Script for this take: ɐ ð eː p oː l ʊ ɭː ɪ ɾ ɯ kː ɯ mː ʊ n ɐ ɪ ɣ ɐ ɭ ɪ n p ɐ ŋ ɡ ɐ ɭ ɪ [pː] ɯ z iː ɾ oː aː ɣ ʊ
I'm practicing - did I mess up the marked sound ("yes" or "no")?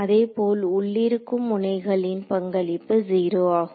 no